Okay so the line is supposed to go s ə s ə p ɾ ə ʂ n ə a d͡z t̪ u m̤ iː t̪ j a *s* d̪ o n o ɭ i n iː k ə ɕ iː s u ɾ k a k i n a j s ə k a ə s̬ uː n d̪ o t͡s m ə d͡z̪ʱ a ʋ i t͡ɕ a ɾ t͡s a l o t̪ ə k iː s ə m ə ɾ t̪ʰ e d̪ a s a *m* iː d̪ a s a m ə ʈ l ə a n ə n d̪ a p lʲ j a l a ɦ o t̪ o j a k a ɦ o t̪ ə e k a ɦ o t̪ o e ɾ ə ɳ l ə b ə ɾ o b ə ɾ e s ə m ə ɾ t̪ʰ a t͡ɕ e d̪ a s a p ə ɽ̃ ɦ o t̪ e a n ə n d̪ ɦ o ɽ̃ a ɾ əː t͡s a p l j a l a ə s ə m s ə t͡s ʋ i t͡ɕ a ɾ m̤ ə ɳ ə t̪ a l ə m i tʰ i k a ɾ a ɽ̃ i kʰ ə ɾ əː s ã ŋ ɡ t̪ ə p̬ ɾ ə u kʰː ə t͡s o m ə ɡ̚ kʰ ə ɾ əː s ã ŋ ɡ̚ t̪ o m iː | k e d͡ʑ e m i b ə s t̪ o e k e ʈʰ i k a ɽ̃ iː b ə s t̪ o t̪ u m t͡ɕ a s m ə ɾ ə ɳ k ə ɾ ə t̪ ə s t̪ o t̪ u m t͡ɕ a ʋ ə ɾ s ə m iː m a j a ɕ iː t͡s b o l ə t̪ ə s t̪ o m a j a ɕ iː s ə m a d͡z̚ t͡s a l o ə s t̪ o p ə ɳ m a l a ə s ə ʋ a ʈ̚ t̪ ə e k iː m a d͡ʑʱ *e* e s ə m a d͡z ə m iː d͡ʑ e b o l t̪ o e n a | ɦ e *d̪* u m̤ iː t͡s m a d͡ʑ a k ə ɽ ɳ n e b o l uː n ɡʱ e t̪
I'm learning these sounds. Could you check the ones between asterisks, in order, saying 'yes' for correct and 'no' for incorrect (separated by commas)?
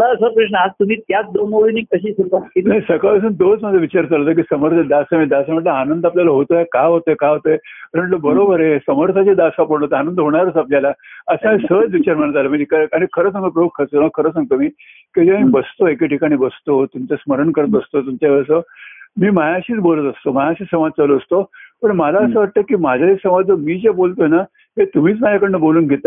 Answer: no, yes, no, no